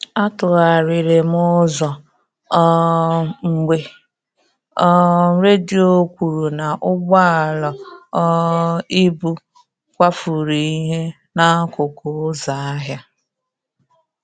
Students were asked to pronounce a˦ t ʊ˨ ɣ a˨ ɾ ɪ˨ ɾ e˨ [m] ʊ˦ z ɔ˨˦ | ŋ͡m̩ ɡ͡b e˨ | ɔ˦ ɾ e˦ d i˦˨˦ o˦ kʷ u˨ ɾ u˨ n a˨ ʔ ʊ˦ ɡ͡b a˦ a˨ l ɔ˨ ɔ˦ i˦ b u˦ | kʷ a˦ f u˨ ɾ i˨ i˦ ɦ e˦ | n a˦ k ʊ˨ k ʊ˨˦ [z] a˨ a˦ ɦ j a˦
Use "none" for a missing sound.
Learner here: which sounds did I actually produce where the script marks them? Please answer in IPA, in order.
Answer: m, z

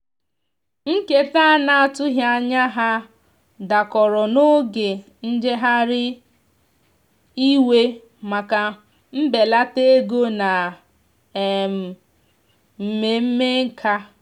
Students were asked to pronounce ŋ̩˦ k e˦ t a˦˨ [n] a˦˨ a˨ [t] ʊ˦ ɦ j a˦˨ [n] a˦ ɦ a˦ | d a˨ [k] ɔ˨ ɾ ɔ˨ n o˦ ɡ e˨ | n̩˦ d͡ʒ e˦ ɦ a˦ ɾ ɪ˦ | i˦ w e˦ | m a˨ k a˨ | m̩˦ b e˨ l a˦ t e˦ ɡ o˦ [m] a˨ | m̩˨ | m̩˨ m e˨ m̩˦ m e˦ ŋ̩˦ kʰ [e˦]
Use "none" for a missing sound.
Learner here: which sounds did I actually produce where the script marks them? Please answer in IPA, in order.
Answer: n, t, ɲ, k, n, a˦

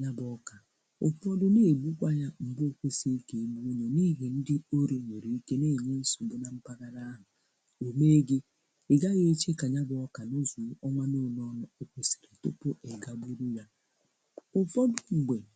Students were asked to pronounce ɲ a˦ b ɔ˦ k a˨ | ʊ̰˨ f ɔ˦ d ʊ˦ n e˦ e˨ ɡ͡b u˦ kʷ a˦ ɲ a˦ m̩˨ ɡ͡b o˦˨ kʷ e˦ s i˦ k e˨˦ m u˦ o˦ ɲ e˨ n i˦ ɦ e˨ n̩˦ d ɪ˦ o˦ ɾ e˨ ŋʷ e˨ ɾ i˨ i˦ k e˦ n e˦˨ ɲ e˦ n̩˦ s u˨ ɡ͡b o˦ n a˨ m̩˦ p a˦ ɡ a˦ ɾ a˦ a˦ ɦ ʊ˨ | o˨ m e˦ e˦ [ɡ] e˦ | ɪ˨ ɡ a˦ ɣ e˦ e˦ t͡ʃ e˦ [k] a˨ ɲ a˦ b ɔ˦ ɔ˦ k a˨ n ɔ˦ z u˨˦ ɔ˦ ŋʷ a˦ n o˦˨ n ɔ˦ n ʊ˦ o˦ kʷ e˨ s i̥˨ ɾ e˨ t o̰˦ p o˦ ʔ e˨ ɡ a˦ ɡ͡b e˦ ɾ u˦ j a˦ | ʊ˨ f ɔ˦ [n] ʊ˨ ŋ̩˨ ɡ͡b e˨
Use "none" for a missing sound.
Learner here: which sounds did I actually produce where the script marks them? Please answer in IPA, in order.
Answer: ɡ, k, d

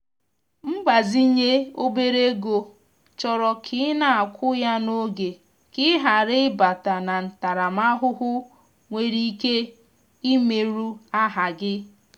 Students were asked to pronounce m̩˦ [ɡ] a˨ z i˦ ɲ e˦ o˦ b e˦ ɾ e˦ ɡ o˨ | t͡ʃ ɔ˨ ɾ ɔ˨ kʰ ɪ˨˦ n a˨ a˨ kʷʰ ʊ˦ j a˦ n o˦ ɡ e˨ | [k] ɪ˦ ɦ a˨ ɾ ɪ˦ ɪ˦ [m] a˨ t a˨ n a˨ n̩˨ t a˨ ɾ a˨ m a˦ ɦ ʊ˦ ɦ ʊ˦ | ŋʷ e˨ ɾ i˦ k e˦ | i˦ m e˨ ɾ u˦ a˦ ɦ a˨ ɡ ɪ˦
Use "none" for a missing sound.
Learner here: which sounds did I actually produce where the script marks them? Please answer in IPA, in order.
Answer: ɡ͡b, k, b

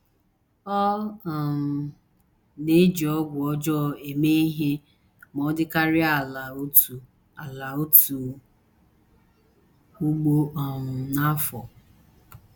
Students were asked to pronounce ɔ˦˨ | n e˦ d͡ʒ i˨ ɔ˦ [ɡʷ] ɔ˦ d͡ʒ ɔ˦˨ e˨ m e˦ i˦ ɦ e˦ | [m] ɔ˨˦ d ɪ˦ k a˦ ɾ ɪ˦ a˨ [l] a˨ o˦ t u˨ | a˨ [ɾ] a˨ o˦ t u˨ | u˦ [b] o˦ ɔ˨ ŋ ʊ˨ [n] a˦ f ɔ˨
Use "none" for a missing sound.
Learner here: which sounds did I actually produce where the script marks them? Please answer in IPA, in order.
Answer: ɡʷ, m, l, l, ɡ͡b, n

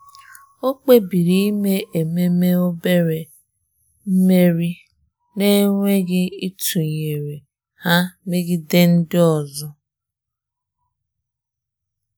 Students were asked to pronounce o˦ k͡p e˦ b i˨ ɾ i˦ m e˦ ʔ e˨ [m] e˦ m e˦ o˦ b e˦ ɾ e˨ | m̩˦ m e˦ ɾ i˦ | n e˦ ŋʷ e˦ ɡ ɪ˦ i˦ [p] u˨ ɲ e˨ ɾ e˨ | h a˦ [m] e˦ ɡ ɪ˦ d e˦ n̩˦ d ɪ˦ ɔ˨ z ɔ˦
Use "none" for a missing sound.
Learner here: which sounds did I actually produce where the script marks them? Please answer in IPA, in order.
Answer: m, t, m

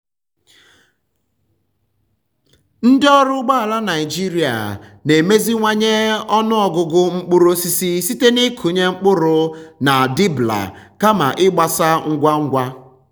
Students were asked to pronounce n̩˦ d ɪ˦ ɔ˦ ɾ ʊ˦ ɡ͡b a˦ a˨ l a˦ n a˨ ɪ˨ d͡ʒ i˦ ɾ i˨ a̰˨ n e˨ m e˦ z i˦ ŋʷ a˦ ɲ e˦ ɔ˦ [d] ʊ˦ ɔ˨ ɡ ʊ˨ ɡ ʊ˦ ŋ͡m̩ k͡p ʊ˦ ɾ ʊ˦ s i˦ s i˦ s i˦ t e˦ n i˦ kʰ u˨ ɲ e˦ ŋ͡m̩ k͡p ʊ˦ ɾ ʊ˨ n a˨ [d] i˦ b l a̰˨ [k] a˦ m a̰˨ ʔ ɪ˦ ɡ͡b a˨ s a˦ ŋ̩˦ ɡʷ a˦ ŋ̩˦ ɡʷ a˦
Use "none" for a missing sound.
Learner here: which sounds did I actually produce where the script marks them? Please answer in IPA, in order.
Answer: n, d, k

